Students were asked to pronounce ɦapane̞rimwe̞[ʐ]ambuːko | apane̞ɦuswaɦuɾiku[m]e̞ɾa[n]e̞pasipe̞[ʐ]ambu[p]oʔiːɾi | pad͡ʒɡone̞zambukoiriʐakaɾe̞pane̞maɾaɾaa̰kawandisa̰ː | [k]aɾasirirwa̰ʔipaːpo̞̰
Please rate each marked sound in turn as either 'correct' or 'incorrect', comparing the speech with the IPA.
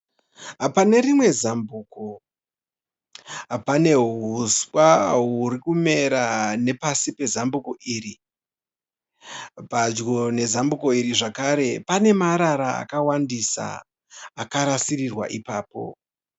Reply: incorrect: z, correct, correct, incorrect: z, incorrect: k, correct

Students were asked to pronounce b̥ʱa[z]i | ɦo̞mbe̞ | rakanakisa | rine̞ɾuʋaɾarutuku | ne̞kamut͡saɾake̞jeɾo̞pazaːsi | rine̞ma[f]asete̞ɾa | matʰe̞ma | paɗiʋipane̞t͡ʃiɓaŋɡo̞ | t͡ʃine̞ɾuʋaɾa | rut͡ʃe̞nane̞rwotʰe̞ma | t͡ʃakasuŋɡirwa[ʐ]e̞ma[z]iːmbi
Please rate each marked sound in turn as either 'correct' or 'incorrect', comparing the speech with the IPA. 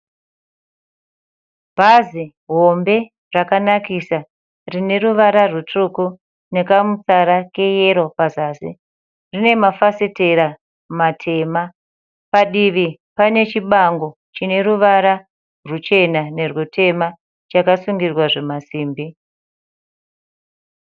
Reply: correct, correct, correct, incorrect: s

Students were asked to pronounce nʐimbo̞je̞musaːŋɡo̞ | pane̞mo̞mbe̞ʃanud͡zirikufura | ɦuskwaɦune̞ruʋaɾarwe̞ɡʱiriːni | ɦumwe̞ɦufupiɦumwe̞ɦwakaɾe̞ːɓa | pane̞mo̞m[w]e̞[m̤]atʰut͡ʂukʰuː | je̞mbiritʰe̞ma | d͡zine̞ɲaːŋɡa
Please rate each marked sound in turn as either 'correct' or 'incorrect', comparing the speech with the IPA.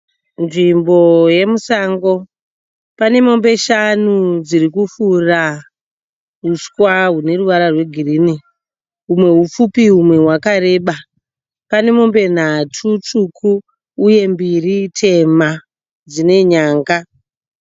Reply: incorrect: b, incorrect: n̤

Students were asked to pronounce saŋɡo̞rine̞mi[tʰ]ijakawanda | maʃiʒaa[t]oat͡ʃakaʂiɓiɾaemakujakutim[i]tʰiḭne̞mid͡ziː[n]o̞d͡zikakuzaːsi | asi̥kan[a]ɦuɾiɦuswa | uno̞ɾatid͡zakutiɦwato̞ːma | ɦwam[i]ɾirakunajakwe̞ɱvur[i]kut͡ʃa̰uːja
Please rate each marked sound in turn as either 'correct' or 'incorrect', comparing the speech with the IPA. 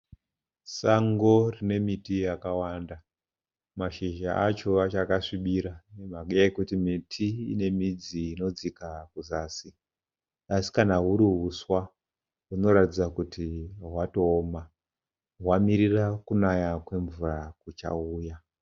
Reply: incorrect: t, incorrect: t͡ʃ, correct, correct, correct, correct, incorrect: a

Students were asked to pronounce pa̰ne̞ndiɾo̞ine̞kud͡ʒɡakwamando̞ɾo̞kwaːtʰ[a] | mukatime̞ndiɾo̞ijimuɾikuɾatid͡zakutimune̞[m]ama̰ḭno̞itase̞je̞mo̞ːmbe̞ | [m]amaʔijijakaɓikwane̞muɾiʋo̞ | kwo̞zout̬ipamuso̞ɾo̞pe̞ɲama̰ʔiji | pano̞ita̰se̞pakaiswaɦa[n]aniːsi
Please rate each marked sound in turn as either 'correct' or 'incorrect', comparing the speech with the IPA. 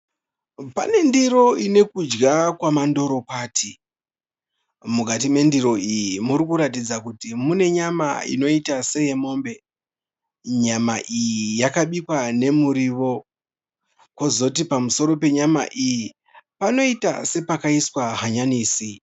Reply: incorrect: i, incorrect: ɲ, incorrect: ɲ, incorrect: ɲ

